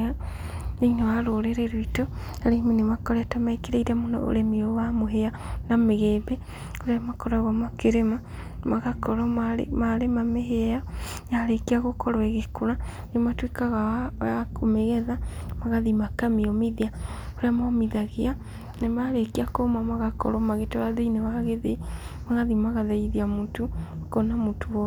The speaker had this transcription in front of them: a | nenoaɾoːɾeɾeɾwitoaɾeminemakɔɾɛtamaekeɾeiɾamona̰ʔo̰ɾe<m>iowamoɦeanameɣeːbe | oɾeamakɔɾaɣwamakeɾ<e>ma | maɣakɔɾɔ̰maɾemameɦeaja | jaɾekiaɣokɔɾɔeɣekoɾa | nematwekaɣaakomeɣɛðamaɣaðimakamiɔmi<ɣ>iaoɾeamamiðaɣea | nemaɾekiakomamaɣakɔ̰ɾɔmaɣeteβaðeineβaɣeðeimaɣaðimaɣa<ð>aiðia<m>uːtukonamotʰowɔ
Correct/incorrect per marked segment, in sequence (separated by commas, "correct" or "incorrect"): correct, correct, incorrect, correct, correct